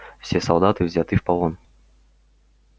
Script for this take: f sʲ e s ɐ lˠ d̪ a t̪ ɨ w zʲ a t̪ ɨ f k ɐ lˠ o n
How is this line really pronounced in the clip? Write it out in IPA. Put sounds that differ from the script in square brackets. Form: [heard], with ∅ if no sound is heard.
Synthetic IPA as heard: f sʲ e s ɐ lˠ d̪ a t̪ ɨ [v] zʲ a t̪ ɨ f [p] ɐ lˠ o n